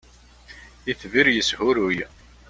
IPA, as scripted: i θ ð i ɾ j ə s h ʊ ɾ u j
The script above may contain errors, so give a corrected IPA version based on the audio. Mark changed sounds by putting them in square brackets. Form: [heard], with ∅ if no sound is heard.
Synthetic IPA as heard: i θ [v] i ɾ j ə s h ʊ ɾ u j